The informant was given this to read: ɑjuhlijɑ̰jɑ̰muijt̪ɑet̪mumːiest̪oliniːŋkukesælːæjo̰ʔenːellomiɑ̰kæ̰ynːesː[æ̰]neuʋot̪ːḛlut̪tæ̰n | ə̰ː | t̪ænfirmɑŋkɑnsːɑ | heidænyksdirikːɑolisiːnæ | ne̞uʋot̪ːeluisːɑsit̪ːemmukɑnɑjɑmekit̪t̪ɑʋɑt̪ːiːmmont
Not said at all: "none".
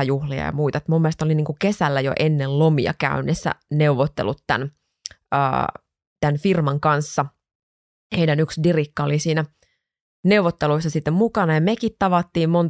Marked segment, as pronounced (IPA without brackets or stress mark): æ̰